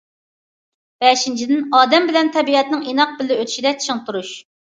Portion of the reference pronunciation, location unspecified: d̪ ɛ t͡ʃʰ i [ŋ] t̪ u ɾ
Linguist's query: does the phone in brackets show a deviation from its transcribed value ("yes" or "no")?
no